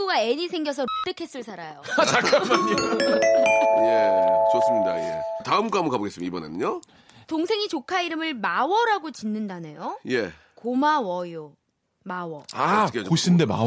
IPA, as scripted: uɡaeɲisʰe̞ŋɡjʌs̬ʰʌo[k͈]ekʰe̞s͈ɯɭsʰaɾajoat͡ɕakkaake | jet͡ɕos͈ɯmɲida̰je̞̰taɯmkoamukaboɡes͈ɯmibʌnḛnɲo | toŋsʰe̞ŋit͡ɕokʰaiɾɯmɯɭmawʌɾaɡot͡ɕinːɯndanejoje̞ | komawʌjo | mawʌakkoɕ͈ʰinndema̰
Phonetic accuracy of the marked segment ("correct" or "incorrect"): incorrect